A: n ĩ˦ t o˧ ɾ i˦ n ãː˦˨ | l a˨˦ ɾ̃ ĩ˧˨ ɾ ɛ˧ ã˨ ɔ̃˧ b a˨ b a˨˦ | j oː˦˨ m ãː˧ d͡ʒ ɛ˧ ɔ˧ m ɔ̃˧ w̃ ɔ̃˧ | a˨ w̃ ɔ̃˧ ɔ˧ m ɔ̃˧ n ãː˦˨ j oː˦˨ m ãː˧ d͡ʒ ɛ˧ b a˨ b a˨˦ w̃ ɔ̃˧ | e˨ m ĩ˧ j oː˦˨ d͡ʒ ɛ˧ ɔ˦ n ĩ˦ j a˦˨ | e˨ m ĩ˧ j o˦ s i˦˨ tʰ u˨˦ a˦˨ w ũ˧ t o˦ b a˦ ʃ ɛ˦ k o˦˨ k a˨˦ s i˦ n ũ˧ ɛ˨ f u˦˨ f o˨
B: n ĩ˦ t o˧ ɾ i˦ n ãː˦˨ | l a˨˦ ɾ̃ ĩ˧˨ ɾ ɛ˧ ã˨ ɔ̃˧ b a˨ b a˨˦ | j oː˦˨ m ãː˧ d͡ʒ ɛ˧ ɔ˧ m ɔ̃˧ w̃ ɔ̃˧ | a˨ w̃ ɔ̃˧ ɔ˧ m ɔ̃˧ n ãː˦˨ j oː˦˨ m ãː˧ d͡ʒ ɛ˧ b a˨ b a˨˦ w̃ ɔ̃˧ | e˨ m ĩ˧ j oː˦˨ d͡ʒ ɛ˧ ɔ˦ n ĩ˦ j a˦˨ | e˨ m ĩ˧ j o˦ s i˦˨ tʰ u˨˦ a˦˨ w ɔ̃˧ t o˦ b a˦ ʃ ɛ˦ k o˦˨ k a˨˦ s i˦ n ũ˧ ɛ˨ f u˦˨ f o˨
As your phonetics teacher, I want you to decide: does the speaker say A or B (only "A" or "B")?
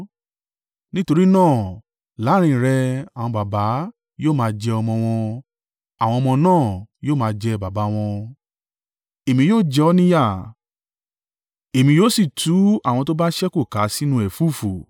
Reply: B